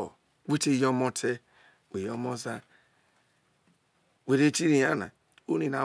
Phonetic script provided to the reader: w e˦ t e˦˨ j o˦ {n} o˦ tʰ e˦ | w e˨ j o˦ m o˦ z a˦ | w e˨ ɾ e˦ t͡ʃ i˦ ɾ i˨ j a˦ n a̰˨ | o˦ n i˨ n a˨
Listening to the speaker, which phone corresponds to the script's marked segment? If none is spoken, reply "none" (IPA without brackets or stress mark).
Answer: m